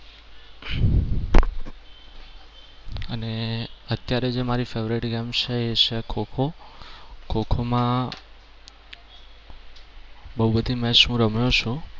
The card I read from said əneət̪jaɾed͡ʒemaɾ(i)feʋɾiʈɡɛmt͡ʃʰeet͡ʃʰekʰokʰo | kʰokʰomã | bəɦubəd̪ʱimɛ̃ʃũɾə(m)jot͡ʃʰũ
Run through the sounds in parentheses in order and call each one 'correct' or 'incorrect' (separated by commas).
correct, correct